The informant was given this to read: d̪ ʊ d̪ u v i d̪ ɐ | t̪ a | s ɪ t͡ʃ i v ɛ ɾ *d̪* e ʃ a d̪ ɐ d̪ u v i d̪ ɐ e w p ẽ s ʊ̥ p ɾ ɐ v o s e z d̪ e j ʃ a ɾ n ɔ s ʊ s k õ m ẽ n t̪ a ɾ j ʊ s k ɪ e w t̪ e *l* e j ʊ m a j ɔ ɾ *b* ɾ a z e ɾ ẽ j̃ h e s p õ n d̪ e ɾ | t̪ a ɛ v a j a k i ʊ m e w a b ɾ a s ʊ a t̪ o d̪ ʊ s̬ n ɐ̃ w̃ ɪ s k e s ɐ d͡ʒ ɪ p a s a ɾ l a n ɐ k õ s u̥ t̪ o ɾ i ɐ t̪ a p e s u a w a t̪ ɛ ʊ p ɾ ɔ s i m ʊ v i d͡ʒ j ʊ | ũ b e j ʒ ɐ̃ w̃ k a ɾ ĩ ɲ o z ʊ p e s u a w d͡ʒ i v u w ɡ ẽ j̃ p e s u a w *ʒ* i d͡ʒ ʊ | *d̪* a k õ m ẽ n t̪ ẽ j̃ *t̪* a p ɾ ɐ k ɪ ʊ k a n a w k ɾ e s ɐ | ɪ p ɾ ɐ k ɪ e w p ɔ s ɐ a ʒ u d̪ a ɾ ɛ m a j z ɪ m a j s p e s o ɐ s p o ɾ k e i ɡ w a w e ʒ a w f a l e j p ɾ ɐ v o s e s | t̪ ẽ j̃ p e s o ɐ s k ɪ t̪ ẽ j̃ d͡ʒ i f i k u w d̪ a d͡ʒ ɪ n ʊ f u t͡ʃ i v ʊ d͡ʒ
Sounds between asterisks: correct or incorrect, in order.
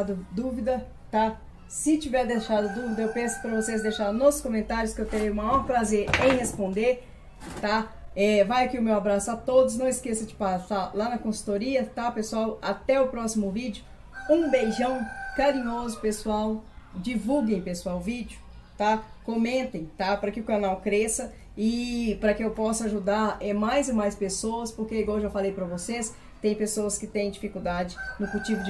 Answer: correct, incorrect, incorrect, incorrect, incorrect, correct

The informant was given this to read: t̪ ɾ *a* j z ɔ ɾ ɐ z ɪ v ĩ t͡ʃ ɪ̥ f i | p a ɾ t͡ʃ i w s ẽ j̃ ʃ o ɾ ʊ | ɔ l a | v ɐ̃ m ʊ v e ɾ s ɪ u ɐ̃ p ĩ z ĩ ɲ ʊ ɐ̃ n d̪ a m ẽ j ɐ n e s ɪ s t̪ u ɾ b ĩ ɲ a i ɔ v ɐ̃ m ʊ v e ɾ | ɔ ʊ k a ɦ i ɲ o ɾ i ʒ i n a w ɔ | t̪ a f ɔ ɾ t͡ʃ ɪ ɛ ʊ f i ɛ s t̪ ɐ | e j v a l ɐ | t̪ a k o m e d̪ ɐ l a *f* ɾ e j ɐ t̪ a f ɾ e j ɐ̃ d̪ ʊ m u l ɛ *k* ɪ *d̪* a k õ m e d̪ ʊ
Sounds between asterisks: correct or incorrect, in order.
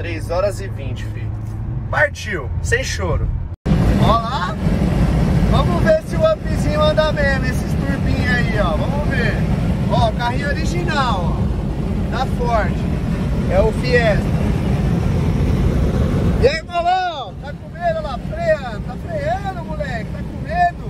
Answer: incorrect, correct, correct, incorrect

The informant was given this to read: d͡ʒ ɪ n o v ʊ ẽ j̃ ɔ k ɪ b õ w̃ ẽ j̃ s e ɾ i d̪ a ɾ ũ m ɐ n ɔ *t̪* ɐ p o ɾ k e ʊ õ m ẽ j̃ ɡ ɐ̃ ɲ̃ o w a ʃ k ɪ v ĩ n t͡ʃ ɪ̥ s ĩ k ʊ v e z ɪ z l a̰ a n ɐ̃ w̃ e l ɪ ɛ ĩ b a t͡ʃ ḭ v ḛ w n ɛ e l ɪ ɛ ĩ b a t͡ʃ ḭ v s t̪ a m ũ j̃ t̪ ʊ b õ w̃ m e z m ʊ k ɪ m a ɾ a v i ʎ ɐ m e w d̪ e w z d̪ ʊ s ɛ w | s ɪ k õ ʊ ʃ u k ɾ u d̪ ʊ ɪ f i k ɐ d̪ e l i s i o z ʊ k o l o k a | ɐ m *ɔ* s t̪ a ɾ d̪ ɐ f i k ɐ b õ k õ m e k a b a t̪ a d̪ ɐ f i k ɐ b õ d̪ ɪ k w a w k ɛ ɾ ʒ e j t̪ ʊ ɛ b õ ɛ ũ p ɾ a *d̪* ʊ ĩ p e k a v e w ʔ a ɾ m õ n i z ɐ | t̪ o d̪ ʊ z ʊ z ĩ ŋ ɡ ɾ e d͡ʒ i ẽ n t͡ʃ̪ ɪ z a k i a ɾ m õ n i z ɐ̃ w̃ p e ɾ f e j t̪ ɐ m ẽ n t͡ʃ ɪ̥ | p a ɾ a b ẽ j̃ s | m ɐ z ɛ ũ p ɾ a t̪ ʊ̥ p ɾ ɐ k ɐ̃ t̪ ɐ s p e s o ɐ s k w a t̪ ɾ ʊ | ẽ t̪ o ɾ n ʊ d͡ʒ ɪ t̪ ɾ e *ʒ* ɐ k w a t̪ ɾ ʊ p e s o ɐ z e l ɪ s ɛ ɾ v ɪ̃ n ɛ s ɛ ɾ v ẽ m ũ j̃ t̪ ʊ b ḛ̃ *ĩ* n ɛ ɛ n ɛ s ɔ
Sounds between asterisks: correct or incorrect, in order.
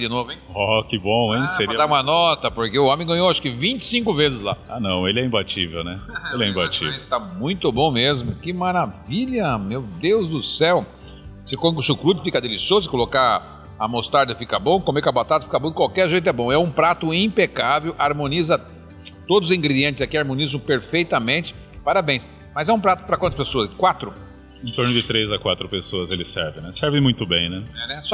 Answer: correct, incorrect, incorrect, incorrect, incorrect

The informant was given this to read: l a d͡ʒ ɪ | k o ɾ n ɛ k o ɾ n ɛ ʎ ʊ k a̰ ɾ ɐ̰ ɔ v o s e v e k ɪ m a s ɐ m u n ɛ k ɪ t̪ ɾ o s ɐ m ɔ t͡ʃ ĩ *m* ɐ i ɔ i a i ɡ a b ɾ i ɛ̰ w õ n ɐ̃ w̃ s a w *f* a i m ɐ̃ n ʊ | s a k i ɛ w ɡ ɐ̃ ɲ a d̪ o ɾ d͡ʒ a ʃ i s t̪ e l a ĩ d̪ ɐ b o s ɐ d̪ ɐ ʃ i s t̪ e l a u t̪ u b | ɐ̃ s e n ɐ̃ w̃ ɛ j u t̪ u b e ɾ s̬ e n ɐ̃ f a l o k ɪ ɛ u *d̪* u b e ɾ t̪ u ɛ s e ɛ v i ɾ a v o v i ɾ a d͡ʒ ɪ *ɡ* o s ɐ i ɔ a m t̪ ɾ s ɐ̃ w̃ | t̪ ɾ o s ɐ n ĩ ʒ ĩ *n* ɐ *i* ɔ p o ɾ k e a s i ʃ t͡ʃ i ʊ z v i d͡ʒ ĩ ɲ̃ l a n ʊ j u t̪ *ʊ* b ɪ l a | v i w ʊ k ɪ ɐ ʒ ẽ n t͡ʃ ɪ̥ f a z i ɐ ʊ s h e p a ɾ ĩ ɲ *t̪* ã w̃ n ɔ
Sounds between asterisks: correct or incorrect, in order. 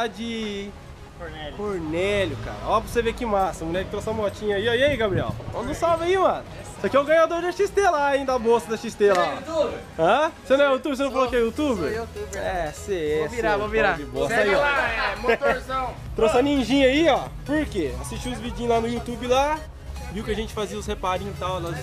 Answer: incorrect, incorrect, incorrect, incorrect, incorrect, correct, incorrect, correct

